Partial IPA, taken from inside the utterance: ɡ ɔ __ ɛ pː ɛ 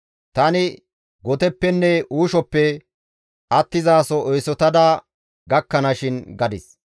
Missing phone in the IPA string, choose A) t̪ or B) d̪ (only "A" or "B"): A